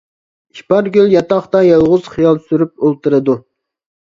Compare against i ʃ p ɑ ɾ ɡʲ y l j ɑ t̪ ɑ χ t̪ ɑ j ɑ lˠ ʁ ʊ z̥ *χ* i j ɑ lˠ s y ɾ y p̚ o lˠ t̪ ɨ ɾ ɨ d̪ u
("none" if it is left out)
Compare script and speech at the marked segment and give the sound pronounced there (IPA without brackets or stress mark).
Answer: χ